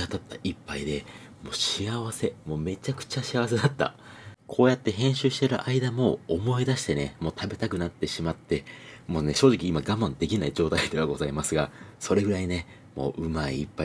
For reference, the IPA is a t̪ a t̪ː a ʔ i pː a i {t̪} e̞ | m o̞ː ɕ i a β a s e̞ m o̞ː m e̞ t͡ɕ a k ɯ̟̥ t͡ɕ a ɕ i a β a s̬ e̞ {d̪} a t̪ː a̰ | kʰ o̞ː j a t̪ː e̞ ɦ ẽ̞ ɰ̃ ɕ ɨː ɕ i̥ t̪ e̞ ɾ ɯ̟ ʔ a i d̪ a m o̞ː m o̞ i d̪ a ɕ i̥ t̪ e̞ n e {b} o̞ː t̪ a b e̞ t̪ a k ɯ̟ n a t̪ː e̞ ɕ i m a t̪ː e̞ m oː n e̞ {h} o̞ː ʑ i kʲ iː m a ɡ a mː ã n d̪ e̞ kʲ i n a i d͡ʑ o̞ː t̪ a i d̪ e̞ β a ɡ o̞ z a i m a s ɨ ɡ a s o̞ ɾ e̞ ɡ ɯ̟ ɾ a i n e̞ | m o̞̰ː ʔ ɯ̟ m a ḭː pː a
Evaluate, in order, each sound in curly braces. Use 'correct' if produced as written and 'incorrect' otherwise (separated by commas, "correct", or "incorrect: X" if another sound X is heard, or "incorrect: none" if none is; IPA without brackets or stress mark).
incorrect: d̪, correct, incorrect: m, incorrect: ɕ